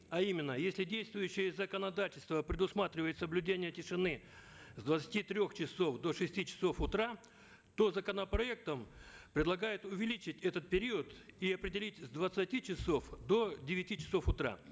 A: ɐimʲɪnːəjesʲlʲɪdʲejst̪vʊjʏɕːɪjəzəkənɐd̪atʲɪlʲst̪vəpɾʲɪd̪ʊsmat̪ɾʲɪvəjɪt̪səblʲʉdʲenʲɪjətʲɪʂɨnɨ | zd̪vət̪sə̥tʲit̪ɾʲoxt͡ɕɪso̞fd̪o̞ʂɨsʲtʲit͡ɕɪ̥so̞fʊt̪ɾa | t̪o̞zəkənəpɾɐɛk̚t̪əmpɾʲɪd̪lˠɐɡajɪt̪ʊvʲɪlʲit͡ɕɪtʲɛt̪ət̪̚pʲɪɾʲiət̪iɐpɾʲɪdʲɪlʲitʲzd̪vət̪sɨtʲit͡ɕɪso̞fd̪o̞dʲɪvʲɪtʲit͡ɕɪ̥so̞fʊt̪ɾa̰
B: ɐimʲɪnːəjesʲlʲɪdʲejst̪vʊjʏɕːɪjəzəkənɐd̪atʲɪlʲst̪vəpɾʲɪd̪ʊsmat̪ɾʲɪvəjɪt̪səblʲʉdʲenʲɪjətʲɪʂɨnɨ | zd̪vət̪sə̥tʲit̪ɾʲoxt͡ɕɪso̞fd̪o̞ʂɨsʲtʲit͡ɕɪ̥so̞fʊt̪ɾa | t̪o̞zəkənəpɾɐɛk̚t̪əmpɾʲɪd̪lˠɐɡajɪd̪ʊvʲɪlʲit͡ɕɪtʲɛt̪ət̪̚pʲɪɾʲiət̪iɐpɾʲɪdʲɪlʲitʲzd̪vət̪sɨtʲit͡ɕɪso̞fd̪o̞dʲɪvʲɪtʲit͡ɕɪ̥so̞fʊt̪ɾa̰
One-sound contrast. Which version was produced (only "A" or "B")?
A